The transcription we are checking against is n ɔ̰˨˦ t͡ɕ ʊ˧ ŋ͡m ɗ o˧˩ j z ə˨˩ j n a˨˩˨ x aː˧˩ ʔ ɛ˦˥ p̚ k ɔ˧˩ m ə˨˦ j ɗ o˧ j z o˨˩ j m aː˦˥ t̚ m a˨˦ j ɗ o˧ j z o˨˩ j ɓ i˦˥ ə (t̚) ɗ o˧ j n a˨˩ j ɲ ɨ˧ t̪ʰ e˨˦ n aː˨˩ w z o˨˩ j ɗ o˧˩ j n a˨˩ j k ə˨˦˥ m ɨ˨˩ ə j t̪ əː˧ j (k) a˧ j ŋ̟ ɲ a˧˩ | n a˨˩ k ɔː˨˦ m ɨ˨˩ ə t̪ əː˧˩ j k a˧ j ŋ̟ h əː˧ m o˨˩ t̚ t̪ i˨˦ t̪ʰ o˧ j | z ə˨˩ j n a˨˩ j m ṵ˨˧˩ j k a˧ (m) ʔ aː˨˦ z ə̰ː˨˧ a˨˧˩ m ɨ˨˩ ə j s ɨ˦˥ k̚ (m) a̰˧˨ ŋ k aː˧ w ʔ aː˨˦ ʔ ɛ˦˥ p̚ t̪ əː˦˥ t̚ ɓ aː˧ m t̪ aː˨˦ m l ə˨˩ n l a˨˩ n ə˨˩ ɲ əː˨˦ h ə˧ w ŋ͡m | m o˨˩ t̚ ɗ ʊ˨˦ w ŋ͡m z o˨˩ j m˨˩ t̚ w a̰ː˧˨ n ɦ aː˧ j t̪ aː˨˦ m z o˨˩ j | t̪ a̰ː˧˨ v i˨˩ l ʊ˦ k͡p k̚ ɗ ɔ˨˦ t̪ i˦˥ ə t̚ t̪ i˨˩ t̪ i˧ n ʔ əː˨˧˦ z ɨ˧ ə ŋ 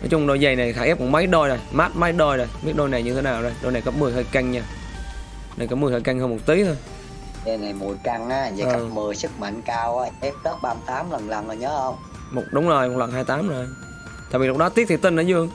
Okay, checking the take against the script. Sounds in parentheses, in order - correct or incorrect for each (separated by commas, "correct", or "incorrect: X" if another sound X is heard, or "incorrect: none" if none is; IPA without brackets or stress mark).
correct, correct, incorrect: ŋ, correct